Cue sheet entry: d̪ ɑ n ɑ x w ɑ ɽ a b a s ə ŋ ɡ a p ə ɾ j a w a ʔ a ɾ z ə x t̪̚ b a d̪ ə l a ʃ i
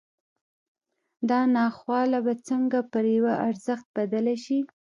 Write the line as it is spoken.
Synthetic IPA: d̪ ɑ n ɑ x w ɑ l a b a t͡s ə ŋ ɡ a p ə ɾ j a w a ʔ a ɾ z ə x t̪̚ b a d̪ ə l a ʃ i